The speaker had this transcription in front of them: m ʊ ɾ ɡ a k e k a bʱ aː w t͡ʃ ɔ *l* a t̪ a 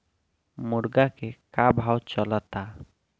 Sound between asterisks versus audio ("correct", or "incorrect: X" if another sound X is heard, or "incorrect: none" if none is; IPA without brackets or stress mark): correct